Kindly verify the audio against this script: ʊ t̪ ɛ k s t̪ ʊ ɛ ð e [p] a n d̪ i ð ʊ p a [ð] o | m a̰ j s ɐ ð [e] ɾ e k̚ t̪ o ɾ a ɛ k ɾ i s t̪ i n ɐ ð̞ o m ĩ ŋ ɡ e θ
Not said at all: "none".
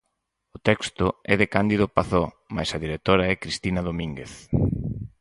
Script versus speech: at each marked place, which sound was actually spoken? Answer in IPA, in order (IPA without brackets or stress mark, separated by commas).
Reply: k, θ, i